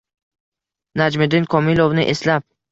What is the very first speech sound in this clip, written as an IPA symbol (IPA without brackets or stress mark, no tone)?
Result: n